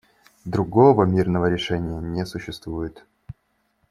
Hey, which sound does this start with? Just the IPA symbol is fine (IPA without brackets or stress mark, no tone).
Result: d̪